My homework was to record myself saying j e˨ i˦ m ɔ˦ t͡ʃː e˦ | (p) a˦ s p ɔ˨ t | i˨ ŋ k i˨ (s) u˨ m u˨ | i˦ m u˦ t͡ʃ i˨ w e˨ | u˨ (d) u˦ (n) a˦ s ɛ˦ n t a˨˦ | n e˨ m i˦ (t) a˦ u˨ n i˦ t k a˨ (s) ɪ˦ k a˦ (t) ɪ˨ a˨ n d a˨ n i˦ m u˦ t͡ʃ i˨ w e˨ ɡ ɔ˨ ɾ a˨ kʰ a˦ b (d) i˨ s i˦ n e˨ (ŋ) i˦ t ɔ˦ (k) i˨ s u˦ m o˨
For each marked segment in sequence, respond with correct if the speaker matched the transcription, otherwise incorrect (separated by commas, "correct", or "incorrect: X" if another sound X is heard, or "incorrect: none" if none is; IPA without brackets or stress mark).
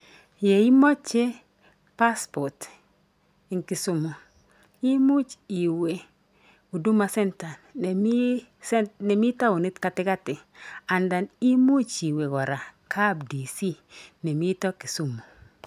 correct, correct, correct, incorrect: m, correct, incorrect: t, correct, correct, incorrect: m, correct